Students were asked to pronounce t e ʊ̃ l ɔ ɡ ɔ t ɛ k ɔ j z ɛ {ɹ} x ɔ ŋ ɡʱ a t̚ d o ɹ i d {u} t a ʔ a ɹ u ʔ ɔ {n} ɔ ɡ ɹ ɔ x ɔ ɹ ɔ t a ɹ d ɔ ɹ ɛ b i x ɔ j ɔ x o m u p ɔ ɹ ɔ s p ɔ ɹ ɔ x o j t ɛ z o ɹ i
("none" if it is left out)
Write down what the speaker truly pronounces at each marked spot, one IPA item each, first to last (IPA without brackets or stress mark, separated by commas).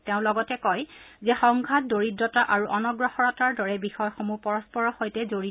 none, ɔ, n